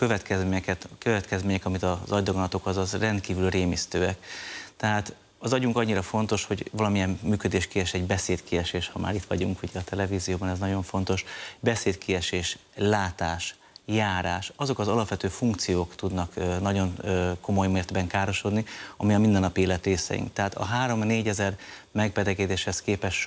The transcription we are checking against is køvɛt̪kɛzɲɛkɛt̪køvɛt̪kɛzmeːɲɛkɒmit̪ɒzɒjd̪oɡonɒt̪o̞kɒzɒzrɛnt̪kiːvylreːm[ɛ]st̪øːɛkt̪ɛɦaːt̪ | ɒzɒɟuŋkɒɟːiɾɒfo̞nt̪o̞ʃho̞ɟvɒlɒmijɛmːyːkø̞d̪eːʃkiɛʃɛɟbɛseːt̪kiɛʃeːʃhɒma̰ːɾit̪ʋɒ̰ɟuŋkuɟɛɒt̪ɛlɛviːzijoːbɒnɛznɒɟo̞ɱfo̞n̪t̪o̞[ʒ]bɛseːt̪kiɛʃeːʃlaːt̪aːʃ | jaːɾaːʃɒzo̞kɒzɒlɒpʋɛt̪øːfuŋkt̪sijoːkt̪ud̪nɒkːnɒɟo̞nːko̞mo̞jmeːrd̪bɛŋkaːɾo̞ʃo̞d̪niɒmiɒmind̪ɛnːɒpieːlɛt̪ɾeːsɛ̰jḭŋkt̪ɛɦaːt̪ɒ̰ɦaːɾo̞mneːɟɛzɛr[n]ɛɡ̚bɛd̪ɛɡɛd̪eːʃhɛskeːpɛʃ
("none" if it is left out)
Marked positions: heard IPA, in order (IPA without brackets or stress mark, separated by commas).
i, ʃ, m